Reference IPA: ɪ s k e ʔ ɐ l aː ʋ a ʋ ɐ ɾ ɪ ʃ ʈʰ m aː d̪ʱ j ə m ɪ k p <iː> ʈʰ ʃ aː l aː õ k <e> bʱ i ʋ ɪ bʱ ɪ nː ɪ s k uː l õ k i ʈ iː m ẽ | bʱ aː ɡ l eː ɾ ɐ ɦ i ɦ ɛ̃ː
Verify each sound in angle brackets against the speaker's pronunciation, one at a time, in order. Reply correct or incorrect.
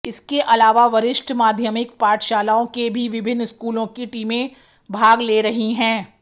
incorrect: aː, correct

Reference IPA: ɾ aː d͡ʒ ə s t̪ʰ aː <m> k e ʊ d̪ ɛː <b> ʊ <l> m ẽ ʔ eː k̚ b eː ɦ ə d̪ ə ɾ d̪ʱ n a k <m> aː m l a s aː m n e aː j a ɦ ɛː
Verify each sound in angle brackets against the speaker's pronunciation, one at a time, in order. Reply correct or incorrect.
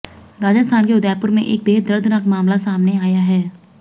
incorrect: n, incorrect: p, incorrect: ɾ, correct

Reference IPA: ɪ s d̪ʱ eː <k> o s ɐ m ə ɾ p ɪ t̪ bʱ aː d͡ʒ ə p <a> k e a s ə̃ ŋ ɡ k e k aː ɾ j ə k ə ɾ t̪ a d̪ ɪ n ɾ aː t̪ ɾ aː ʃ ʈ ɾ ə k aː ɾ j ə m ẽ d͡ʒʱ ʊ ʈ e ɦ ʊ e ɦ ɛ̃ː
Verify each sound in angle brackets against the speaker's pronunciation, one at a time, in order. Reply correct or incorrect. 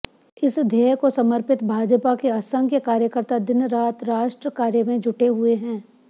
correct, correct

